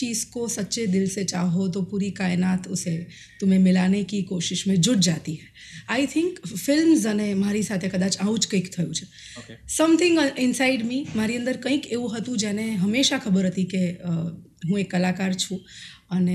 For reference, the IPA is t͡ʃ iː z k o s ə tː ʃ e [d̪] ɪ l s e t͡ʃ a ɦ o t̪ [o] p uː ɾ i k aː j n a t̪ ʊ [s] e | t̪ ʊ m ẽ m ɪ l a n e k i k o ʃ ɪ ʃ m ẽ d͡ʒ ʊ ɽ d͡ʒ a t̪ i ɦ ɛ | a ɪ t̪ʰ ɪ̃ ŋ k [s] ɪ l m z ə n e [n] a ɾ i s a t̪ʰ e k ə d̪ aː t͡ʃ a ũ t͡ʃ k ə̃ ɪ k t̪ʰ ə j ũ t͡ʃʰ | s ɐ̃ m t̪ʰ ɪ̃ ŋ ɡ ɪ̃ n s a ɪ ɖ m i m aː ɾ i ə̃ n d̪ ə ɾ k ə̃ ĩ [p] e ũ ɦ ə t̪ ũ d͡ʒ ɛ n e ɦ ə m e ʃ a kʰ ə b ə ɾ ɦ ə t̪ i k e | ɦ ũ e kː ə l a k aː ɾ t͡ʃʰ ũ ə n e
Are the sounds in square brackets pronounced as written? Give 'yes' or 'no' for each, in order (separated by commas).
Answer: yes, yes, yes, no, no, no